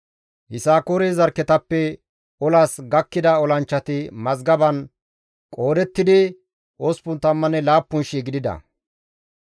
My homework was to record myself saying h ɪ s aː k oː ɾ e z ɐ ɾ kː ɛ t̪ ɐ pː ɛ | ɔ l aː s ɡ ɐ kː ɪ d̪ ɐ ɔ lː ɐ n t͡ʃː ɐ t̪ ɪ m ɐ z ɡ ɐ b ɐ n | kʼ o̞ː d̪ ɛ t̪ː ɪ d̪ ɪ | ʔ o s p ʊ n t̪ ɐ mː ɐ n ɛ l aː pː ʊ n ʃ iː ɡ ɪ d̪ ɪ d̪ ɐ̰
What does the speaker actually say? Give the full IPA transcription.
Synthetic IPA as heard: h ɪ s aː k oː ɾ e z ɐ ɾ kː ɛ t̪ ɐ pː ɛ | ɔ l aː s ɡ ɐ kː ɪ d̪ ɐ ɔ l ɐ n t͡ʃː ɐ t̪ ɪ m ɐ z ɡ ɐ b ɐ n | kʼ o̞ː d̪ ɛ t̪ː ɪ d̪ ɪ | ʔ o s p ʊ n t̪ ɐ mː ɐ n ɛ l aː pː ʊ n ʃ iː ɡ ɪ d̪ ɪ d̪ ɐ̰